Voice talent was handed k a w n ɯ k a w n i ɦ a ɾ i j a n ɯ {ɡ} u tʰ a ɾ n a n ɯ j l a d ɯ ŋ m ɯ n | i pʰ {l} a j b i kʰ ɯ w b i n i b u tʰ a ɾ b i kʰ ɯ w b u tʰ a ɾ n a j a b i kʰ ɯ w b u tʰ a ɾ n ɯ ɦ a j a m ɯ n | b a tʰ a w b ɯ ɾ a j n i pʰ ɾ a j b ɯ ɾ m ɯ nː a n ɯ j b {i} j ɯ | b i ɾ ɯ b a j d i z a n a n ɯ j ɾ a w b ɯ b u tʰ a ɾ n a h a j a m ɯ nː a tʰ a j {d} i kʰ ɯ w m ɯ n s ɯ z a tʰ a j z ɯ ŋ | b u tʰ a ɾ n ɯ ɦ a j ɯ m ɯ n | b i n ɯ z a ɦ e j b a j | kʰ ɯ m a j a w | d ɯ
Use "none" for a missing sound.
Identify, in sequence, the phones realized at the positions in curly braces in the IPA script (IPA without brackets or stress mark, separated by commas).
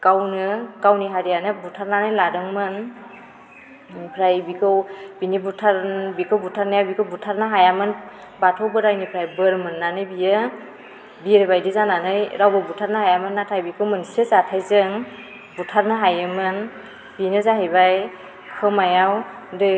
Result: b, ɾ, i, b